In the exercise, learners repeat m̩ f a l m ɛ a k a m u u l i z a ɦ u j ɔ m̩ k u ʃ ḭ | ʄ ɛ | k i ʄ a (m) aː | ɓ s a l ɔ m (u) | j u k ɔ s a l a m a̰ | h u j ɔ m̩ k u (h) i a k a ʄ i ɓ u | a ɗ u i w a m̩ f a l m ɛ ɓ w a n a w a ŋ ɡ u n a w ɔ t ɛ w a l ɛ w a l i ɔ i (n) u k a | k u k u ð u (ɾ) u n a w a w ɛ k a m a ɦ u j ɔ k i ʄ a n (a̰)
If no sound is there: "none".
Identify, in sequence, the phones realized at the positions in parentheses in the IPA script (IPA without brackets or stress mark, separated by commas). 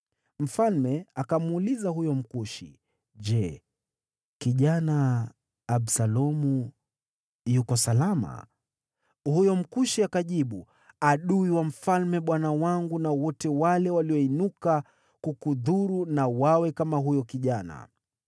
n, u, ʃ, n, ɾ, a̰